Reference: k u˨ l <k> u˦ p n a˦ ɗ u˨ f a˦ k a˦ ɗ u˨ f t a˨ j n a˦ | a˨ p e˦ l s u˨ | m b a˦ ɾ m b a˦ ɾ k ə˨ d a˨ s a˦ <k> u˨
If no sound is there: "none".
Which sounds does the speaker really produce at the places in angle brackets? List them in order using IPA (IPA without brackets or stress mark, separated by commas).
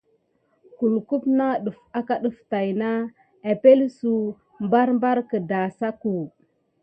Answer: k, k